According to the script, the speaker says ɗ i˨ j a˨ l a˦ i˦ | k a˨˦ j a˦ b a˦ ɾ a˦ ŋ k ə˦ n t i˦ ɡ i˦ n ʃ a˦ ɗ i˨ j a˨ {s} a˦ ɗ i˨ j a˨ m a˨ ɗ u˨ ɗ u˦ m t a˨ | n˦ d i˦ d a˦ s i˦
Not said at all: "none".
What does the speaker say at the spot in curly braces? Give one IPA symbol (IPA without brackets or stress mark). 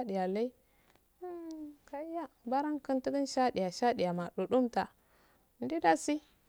ʃ